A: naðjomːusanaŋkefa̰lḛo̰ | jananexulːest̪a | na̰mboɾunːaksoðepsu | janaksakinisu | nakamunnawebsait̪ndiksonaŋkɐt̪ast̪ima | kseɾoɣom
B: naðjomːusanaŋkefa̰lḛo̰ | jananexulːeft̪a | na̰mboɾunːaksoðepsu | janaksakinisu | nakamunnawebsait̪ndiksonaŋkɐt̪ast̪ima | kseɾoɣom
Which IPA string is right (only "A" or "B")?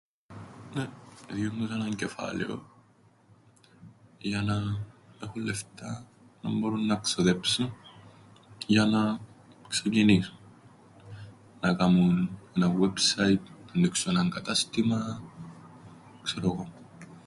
B